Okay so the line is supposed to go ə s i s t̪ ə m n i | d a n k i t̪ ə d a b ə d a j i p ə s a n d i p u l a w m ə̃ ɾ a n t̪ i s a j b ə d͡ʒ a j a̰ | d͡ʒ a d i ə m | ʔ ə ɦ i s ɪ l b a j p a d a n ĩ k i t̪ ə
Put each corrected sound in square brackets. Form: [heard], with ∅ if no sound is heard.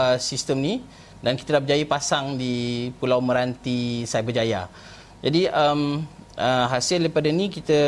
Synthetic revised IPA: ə s i s t̪ ə m n i | d a n k i t̪ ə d a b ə [d͡ʒ] a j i p [a] s a [ŋ] d i p u l a w m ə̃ ɾ a n t̪ i s a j b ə d͡ʒ a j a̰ | d͡ʒ a d i ə m | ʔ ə ɦ [a] s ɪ l [d] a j p a d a n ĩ k i t̪ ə